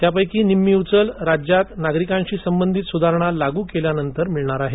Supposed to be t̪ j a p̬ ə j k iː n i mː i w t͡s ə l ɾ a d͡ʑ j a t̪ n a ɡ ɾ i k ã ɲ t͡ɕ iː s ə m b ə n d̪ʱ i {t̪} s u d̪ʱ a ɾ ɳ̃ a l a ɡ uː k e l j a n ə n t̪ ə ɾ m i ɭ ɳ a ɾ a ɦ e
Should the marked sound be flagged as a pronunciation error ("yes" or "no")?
no